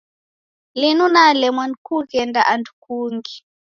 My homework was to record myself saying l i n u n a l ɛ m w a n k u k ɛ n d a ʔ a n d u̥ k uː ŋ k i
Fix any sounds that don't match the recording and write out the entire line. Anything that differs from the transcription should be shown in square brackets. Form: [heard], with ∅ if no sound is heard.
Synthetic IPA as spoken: l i n u n a l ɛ m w a n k u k ɛ n d a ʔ a n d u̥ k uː ŋ [ɡ] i